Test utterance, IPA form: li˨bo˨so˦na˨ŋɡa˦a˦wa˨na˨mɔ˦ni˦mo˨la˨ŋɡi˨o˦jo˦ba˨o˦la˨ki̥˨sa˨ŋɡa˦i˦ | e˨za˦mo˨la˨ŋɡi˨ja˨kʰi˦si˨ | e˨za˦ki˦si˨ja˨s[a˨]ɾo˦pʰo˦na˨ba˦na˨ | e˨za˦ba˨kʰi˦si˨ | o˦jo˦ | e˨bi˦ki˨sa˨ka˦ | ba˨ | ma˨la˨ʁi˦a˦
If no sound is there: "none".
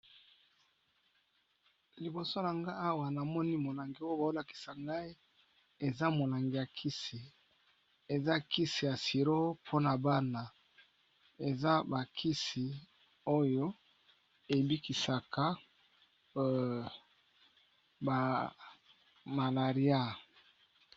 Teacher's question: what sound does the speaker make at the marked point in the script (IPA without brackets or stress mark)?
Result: i˨